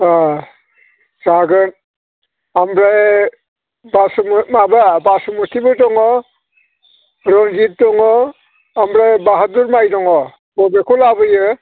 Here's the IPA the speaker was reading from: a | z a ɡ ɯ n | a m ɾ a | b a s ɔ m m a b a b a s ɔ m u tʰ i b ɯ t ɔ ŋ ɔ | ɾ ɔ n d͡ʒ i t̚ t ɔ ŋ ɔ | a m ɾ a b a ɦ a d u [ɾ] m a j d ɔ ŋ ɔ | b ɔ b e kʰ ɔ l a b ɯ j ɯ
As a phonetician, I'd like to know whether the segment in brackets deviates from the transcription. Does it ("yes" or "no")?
no